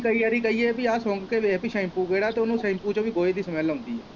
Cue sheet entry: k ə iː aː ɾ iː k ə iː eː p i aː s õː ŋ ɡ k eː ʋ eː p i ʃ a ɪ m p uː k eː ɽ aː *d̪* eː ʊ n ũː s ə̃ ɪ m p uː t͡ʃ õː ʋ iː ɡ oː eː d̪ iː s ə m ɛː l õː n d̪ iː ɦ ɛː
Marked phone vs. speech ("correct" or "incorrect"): incorrect